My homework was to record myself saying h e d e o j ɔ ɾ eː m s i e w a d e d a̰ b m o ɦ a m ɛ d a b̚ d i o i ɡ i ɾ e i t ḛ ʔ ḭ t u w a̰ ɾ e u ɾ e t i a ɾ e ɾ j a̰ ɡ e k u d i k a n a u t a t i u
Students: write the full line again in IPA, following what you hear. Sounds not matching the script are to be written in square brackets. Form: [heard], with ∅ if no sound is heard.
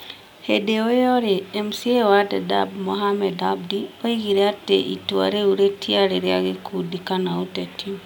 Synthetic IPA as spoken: h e d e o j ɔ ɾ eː m s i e w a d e d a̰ b m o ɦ a m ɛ d a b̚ d i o i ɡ i ɾ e [a] t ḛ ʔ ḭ t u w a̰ ɾ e u ɾ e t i a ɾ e ɾ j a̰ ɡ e k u d i k a n a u t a t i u